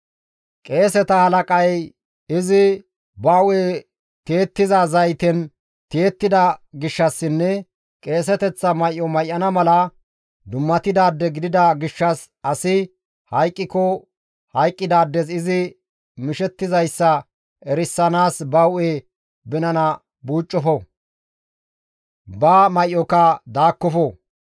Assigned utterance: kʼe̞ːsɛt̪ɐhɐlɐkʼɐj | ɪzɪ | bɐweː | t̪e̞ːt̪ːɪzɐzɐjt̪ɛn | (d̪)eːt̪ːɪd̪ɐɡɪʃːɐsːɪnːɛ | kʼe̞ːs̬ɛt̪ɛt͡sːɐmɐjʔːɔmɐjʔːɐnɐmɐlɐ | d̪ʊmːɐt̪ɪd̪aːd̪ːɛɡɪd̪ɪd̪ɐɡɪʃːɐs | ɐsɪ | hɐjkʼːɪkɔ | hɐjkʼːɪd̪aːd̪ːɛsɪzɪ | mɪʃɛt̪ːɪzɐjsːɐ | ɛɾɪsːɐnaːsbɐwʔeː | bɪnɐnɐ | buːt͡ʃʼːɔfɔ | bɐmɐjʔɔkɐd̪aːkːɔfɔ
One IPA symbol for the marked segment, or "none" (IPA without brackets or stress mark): t̪